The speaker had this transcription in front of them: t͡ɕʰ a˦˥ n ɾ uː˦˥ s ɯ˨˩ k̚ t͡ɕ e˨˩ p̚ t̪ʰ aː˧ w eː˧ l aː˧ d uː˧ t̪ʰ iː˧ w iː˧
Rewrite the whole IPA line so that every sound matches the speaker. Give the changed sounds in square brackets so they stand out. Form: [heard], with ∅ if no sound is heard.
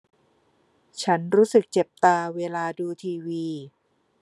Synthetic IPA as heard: t͡ɕʰ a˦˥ n ɾ uː˦˥ s ɯ˨˩ k̚ t͡ɕ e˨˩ p̚ [t̪] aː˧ w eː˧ l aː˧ d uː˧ t̪ʰ iː˧ w iː˧